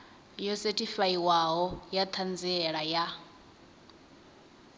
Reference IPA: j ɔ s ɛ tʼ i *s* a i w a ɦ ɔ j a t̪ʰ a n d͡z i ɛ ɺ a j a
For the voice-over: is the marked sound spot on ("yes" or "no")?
no